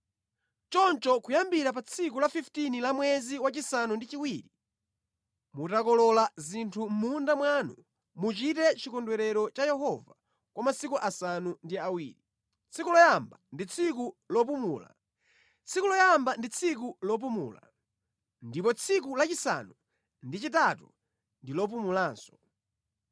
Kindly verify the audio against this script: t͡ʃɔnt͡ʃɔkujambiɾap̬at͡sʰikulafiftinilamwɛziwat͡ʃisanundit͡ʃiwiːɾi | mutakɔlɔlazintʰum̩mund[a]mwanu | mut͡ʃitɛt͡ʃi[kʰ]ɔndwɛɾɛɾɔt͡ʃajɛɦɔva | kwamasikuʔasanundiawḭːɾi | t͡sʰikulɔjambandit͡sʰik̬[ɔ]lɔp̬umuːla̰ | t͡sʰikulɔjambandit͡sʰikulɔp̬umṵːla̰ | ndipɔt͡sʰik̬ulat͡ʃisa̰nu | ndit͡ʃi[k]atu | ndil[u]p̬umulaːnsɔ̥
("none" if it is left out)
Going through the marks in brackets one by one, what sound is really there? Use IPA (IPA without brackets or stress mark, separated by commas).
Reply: a, k, u, t, ɔ